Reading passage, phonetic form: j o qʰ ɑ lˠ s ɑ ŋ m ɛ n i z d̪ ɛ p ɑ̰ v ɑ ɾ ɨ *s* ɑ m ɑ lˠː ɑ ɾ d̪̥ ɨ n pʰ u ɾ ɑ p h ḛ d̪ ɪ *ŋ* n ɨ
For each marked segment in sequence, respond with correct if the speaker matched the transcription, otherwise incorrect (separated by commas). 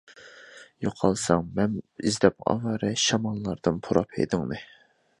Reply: incorrect, correct